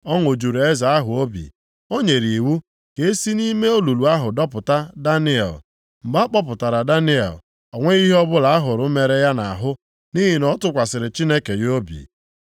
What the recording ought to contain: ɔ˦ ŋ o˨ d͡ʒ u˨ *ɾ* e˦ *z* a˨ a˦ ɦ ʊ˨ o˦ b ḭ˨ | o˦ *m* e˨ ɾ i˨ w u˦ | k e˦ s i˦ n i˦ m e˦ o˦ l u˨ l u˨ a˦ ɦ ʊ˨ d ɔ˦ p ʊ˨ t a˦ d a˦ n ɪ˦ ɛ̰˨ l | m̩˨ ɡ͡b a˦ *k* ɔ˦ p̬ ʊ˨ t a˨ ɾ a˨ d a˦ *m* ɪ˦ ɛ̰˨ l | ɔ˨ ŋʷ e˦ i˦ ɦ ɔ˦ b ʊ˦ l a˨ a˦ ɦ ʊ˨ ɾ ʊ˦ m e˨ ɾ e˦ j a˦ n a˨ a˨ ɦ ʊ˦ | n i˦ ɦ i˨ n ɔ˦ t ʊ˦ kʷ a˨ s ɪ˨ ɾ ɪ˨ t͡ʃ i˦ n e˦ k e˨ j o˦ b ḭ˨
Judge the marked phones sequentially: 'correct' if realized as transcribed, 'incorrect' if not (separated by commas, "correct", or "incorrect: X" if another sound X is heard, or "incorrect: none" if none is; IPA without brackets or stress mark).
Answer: correct, correct, incorrect: ɲ, incorrect: k͡p, incorrect: n